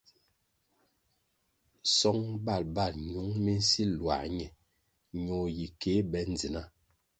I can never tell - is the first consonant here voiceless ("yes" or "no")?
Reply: yes